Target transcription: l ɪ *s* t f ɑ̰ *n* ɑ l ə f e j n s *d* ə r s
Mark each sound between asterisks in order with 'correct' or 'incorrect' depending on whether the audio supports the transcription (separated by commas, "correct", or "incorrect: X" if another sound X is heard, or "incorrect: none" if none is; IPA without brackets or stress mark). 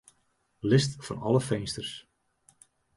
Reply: correct, correct, incorrect: t